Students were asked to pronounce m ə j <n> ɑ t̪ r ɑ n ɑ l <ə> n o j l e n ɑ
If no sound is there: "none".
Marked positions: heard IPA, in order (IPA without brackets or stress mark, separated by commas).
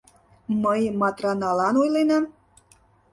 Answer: m, ɑ